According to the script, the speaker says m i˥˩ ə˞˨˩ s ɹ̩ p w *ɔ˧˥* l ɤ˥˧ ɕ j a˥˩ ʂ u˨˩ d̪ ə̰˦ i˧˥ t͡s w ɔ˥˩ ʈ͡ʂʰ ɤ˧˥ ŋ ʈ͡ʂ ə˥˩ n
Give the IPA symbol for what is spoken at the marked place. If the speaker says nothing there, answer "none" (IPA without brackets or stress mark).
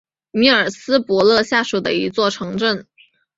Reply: ɔ˧˥